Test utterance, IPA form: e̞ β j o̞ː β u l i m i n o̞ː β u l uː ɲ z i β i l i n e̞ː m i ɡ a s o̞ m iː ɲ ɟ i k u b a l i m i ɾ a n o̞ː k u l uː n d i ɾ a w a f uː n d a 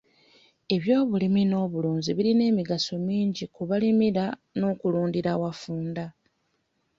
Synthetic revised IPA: e̞ β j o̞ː β u l i m i n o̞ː β u l uː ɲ z i β i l i n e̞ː m i ɡ a s o̞ m iː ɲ ɟ i k u β a l i m i ɾ a n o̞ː k u l uː n d i ɾ a w a f uː n d a